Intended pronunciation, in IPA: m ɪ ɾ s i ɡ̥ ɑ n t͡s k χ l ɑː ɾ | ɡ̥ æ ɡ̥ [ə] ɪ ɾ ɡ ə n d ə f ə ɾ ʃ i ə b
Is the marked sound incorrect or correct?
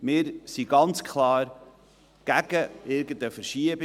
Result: correct